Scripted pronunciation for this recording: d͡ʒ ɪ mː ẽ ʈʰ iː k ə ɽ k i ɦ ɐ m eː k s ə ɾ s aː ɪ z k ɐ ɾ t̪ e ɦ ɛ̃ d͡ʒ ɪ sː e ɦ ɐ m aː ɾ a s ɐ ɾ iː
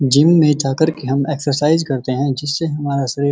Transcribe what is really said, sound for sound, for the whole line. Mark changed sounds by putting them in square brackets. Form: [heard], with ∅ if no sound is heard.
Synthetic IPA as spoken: d͡ʒ ɪ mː ẽ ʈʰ [aː] k ə [ɾ] k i ɦ ɐ m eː k s ə ɾ s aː ɪ z k ɐ ɾ t̪ e ɦ ɛ̃ d͡ʒ ɪ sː e ɦ ɐ m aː ɾ a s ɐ ɾ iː